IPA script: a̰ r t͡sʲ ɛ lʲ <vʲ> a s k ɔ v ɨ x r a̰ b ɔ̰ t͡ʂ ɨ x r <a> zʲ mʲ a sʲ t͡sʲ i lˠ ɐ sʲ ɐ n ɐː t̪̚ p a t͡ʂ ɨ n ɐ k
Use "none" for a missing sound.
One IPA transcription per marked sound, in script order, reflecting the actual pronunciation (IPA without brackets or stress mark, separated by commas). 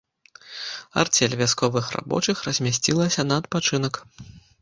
vʲ, ɐ